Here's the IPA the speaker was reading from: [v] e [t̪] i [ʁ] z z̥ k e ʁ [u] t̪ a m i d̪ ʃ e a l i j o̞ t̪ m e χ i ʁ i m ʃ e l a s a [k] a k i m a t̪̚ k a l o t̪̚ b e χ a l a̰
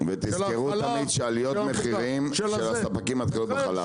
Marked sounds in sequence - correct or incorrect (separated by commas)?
correct, correct, incorrect, correct, incorrect